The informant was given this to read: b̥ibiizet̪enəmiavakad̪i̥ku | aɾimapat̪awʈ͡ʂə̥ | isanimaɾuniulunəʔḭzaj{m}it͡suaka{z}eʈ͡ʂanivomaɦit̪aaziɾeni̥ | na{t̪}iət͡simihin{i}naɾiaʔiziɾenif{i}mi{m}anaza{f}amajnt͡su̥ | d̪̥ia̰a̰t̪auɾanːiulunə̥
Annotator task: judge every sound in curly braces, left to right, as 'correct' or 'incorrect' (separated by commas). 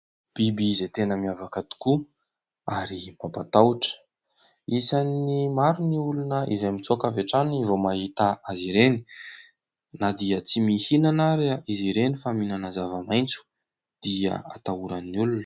correct, incorrect, incorrect, incorrect, incorrect, incorrect, incorrect